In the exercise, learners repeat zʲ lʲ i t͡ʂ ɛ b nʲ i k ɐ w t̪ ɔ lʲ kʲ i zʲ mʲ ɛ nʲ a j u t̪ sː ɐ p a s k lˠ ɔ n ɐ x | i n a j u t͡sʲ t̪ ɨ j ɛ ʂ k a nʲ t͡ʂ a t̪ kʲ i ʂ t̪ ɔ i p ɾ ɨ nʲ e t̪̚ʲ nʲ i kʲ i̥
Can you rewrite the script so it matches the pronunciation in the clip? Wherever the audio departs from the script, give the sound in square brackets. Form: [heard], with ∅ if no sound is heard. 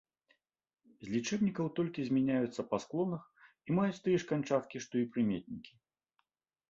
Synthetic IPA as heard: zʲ lʲ i t͡ʂ ɛ b nʲ i k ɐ w t̪ ɔ lʲ kʲ i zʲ mʲ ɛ nʲ a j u t̪ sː ɐ p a s k lˠ ɔ n ɐ x | i [m] a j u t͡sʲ t̪ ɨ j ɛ ʂ k a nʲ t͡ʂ a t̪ kʲ i ʂ t̪ ɔ i p ɾ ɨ [mʲ] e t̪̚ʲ nʲ i kʲ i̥